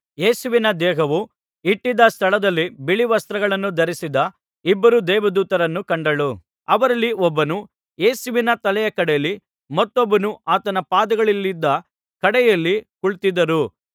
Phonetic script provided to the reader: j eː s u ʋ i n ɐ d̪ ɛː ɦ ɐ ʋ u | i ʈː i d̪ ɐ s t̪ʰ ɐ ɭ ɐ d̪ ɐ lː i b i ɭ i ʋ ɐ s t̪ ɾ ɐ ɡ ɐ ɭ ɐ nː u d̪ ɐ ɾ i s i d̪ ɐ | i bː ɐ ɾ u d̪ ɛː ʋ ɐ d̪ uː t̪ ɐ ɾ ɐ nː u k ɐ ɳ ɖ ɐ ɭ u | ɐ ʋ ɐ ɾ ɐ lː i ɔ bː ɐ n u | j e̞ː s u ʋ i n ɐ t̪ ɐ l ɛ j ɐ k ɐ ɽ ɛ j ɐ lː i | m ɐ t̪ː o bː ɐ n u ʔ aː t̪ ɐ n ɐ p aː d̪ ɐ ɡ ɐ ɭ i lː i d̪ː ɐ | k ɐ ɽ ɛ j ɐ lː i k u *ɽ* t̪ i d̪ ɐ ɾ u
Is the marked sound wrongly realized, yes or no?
yes